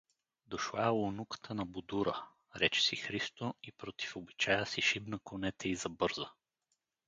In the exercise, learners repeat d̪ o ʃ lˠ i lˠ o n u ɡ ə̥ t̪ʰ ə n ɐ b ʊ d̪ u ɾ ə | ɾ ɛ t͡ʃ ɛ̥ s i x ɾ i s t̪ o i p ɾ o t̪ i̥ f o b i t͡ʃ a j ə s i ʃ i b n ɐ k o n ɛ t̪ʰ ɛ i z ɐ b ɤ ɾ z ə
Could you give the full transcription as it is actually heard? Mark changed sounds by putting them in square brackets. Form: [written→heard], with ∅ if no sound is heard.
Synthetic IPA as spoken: d̪ o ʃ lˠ [i→a] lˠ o n u [ɡ→k] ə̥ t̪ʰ ə n ɐ b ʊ d̪ u ɾ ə | ɾ ɛ t͡ʃ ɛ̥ s i x ɾ i s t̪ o i p ɾ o t̪ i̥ f o b i t͡ʃ a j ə s i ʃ i b n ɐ k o n ɛ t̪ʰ ɛ i z ɐ b ɤ ɾ z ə

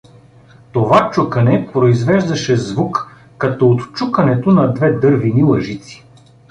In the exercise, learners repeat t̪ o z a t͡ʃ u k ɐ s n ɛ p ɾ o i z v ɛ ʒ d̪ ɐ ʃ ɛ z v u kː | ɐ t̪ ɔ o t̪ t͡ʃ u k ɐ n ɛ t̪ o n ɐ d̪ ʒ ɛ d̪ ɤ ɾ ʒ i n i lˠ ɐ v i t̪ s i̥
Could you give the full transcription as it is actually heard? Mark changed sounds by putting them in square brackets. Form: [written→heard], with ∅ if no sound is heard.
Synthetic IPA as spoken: t̪ o [z→v] a t͡ʃ u k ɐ [s→∅] n ɛ p ɾ o i z v ɛ ʒ d̪ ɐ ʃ ɛ z v u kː | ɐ t̪ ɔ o t̪ t͡ʃ u k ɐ n ɛ t̪ o n ɐ d̪ [ʒ→v] ɛ d̪ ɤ ɾ [ʒ→v] i n i lˠ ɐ [v→ʒ] i t̪ s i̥

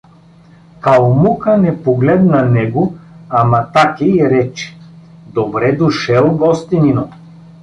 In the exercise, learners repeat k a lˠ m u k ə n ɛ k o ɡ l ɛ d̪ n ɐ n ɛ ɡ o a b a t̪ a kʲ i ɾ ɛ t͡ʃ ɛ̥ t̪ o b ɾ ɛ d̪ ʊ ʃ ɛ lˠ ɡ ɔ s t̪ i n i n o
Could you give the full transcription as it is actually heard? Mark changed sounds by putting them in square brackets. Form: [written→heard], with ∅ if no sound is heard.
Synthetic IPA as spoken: k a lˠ m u k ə n ɛ [k→p] o ɡ l ɛ d̪ n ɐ n ɛ ɡ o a [b→m] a t̪ a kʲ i ɾ ɛ t͡ʃ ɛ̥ [t̪→d̪] o b ɾ ɛ d̪ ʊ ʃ ɛ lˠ ɡ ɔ s t̪ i n i n o

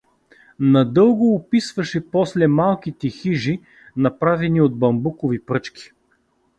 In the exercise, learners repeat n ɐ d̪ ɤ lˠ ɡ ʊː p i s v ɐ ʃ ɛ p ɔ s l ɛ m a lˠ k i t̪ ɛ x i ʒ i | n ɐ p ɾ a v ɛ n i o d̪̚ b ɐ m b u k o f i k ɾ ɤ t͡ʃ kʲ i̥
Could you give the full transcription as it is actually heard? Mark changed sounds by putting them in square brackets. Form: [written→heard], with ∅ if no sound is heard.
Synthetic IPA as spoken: n ɐ d̪ ɤ lˠ ɡ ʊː p i s v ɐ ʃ ɛ p ɔ s l ɛ m a lˠ k i t̪ ɛ x i ʒ i | n ɐ p ɾ a v ɛ n i o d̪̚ b ɐ m b u k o [f→v] i [k→p] ɾ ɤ t͡ʃ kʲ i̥

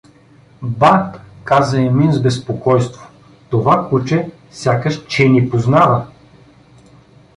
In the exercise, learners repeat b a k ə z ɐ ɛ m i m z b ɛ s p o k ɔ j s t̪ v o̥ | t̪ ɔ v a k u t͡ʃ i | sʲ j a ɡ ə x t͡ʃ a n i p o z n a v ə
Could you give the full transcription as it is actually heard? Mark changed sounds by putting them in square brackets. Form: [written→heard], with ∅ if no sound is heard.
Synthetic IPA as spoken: b a k [ə→a] z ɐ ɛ m i [m→n] z b ɛ s p o k ɔ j s t̪ v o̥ | t̪ [ɔ→o] v a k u t͡ʃ [i→ɛ] | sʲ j a [ɡ→k] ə [x→ʃ] t͡ʃ [a→ɛ] n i p o z n a v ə

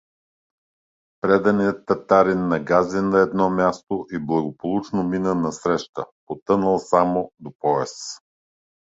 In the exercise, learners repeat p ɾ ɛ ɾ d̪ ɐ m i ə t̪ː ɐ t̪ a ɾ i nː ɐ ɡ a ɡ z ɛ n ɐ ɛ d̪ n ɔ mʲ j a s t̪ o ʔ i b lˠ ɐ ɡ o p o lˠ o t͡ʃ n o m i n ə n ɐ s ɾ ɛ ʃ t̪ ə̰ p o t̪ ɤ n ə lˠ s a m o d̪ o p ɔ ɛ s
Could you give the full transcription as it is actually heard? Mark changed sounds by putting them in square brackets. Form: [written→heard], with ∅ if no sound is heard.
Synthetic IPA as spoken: p ɾ ɛ [ɾ→∅] d̪ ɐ [m→n] i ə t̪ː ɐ t̪ a ɾ i nː ɐ ɡ a [ɡ→∅] z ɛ n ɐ ɛ d̪ n ɔ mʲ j a s t̪ o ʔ i b lˠ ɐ ɡ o p o lˠ [o→u] t͡ʃ n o m i n ə n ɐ s ɾ ɛ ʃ t̪ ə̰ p o t̪ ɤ n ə lˠ s a m o d̪ o p ɔ ɛ s

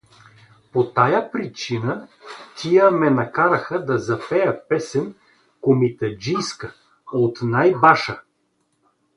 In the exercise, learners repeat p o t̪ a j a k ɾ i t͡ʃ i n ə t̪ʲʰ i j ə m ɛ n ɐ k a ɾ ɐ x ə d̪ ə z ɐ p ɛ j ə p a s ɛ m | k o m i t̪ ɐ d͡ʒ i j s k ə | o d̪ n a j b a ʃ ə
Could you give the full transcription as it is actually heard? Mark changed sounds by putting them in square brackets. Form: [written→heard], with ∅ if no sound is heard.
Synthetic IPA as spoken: p o t̪ a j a [k→p] ɾ i t͡ʃ i n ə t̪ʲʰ i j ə m ɛ n ɐ k a ɾ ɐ x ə d̪ [ə→ɐ] z ɐ p ɛ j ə p [a→ɛ] s ɛ [m→n] | k o m i t̪ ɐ d͡ʒ i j s k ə | o [d̪→t̪] n a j b a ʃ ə

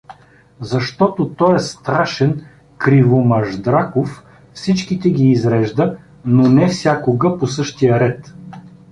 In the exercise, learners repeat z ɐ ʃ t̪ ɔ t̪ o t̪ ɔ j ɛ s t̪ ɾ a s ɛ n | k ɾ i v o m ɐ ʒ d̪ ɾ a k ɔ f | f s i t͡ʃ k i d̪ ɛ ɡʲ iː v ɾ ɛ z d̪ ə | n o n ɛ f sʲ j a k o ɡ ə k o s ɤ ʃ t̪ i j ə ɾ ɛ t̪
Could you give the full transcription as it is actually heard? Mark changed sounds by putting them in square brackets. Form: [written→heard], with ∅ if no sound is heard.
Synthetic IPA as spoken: z ɐ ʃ t̪ ɔ t̪ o t̪ ɔ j ɛ s t̪ ɾ a [s→ʃ] ɛ n | k ɾ i v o m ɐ ʒ d̪ ɾ a k [ɔ→o] f | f s i t͡ʃ k i [d̪→t̪] ɛ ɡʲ iː [v→z] ɾ ɛ [z→ʒ] d̪ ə | n o n ɛ f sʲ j a k o ɡ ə [k→p] o s ɤ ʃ t̪ i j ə ɾ ɛ t̪

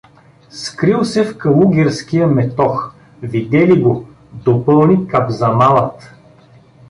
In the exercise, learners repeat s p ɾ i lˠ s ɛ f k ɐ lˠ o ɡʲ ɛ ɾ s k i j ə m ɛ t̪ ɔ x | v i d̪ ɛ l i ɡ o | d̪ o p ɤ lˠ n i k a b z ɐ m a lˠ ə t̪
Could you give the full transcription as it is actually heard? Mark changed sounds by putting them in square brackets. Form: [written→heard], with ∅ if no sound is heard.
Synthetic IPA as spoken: s [p→k] ɾ i lˠ s ɛ f k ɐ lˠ [o→u] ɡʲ ɛ ɾ s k i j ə m ɛ t̪ ɔ x | v i d̪ ɛ l i ɡ o | d̪ o p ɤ lˠ n i k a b z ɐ m a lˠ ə t̪

